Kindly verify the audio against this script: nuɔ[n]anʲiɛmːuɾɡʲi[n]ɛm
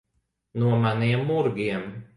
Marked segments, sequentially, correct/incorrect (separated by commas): incorrect, incorrect